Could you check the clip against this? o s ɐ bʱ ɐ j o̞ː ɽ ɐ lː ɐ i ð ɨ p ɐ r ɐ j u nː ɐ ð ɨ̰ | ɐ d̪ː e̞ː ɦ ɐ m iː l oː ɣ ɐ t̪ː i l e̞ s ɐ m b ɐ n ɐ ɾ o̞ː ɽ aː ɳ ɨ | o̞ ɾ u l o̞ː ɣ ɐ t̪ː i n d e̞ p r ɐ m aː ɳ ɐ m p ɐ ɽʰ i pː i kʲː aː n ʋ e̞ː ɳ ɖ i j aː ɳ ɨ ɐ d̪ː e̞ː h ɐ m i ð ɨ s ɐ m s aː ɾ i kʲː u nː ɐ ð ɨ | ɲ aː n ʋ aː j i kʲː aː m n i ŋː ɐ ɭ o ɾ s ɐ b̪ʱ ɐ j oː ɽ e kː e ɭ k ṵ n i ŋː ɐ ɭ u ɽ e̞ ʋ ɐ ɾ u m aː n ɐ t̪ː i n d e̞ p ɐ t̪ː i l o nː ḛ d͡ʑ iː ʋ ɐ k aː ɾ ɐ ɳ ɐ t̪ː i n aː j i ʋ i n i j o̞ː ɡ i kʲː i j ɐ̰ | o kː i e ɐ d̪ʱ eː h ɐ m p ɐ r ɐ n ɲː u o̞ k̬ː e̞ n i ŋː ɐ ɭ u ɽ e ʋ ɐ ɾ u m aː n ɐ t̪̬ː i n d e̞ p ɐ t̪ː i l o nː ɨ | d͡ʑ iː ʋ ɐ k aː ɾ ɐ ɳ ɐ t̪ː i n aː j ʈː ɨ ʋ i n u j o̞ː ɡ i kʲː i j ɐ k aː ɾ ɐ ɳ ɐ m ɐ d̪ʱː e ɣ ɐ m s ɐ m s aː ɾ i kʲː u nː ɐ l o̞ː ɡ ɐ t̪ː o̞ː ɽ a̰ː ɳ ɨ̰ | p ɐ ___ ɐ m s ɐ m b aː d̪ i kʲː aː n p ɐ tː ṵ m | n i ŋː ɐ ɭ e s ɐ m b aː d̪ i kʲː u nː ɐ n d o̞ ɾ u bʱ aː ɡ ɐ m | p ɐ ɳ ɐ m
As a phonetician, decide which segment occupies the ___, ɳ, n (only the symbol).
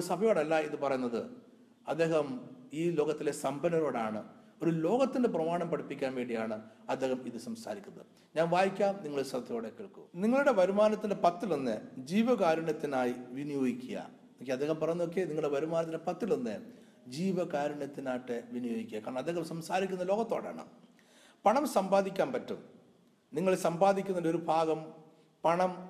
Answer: ɳ